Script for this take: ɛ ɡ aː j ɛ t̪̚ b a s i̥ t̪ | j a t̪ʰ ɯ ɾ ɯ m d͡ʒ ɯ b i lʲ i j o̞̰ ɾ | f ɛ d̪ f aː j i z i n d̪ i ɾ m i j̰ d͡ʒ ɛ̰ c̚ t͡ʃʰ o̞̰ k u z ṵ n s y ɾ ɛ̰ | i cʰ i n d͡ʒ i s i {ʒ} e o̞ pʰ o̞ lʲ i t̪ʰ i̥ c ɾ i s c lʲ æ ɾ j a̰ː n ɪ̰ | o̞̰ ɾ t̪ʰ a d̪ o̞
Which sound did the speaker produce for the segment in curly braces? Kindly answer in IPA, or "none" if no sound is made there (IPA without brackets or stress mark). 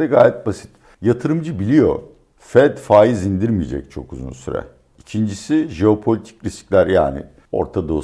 ʒ